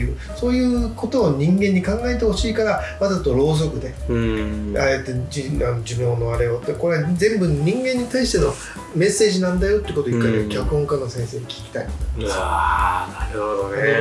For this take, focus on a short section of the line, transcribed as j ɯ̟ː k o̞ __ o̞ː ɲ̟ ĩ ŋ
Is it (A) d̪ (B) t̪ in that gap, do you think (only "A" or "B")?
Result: B